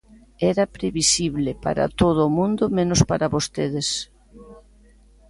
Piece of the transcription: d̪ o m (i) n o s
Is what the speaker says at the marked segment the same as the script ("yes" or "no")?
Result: no